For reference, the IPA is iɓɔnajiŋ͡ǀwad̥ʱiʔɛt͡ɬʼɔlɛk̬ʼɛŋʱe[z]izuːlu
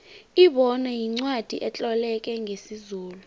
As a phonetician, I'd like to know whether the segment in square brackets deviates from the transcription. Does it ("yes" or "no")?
yes